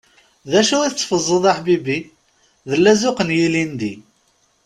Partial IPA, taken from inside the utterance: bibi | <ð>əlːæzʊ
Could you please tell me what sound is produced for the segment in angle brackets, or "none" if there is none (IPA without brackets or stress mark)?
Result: ð